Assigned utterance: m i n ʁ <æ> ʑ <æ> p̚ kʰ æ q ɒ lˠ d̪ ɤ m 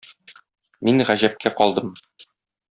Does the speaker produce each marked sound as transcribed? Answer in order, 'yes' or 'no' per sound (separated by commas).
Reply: yes, yes